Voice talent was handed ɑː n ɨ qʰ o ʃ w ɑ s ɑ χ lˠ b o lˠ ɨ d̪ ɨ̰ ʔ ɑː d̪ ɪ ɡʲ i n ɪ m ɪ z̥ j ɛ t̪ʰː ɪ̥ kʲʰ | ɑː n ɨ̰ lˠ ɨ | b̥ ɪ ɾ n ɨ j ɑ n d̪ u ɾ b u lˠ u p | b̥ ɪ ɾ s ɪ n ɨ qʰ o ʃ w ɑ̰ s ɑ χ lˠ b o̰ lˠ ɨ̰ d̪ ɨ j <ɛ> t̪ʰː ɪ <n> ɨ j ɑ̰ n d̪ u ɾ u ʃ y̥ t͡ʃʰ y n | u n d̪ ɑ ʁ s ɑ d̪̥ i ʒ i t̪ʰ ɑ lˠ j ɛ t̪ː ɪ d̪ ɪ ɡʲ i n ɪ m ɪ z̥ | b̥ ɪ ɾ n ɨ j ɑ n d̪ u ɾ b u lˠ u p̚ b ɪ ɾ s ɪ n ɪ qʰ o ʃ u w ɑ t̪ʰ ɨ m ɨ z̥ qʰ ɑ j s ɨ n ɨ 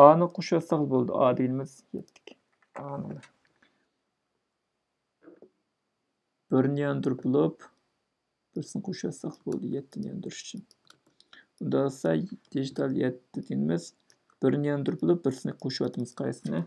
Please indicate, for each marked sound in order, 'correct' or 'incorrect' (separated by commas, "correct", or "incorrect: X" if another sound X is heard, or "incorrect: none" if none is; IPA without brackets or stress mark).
correct, correct